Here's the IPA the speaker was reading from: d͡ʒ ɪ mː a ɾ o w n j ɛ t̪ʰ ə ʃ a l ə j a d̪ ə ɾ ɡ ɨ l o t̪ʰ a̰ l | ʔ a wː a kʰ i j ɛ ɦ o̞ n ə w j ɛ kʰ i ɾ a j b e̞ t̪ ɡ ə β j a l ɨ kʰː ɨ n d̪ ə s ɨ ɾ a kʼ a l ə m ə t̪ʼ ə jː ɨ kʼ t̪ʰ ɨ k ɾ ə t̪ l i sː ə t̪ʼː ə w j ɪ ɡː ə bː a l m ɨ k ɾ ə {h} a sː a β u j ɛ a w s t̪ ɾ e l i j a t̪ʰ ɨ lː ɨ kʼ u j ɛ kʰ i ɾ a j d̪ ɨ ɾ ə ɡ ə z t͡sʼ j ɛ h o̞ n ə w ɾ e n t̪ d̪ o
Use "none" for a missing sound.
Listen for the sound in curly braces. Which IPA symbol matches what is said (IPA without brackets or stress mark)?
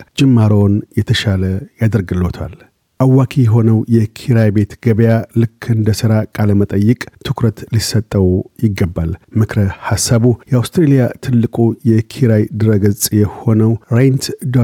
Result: h